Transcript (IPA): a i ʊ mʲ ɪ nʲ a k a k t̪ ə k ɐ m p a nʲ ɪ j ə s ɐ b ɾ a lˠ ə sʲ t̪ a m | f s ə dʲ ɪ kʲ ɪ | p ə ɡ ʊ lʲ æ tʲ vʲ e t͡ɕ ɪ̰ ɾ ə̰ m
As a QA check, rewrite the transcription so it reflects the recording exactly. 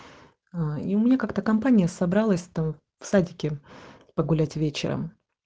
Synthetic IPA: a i ʊ mʲ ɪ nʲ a k a k t̪ ə k ɐ m p a nʲ ɪ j ə s ɐ b ɾ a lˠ ə sʲ t̪ a m | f s a dʲ ɪ kʲ ɪ | p ə ɡ ʊ lʲ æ tʲ vʲ e t͡ɕ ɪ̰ ɾ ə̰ m

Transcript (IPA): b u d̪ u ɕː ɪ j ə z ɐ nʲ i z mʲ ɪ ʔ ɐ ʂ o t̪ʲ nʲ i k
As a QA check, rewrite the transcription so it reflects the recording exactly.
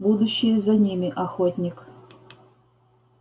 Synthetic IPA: b u d̪ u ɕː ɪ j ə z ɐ nʲ i mʲ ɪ ʔ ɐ x o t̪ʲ nʲ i k

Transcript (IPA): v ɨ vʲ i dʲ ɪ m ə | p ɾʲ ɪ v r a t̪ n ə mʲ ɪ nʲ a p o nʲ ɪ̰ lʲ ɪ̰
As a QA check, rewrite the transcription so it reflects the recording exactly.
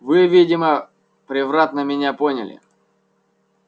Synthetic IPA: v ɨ vʲ i dʲ ɪ m ə | p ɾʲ ɪ v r a t̪ n ə mʲ ɪ nʲ a p o nʲ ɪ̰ lʲ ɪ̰

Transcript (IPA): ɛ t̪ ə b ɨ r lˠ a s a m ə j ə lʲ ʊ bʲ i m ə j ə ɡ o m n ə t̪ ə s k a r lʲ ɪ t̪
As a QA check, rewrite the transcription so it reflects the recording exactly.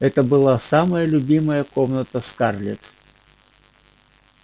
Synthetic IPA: ɛ t̪ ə b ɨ lˠ a s a m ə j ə lʲ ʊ bʲ i m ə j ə k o m n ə t̪ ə s k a r lʲ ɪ t̪

